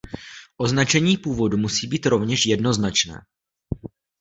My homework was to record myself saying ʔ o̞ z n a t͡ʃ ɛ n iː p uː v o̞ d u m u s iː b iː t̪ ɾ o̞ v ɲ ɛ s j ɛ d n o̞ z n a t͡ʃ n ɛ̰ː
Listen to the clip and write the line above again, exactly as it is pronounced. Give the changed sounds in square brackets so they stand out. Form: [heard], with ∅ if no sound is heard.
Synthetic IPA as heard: ʔ o̞ z n a t͡ʃ ɛ [ɲ] iː p uː v o̞ d u m u s iː b iː t̪ ɾ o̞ v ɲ ɛ [ʃ] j ɛ d n o̞ z n a t͡ʃ n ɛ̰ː